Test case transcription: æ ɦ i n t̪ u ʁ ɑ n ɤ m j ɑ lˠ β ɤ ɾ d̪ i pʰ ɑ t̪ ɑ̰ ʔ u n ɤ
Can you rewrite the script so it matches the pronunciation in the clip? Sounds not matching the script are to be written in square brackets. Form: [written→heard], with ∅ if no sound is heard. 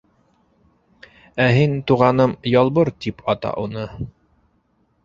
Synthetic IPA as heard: æ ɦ i n t̪ u ʁ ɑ n ɤ m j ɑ lˠ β ɤ ɾ [d̪→t̪] i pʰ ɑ t̪ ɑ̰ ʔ u n ɤ